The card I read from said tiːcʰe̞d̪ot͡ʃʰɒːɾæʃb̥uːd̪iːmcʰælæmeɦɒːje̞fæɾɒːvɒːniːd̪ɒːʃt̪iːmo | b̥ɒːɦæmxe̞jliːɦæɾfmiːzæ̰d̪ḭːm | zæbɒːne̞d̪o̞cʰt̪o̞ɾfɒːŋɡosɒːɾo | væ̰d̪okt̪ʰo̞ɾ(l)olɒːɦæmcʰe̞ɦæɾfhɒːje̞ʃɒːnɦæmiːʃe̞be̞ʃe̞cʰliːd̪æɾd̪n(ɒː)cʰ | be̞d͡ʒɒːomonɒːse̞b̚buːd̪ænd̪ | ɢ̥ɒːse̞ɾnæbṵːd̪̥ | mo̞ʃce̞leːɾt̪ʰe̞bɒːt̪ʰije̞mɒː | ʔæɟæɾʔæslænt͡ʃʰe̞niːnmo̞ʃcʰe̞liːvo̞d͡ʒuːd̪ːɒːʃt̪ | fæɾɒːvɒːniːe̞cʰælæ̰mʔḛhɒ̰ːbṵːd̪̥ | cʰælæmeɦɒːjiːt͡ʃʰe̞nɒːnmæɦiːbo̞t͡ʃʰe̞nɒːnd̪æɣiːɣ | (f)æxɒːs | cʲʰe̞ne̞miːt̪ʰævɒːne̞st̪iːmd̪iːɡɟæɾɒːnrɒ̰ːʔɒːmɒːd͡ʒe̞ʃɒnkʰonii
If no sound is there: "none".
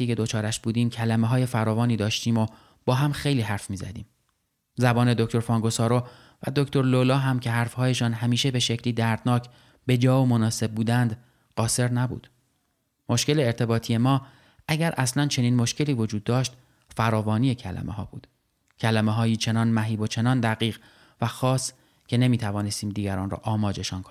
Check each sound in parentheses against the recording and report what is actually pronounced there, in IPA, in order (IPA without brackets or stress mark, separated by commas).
l, ɒː, v